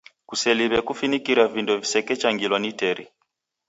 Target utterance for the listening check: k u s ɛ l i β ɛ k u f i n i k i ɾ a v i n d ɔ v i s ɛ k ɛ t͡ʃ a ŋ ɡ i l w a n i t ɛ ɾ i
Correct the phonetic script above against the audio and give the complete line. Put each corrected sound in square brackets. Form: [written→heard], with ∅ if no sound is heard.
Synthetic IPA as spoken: k u s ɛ l i β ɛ k u f i n i k i ɾ a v i n d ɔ v i s ɛ k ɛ t͡ʃ a ŋ ɡ i l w a n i t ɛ ɾ i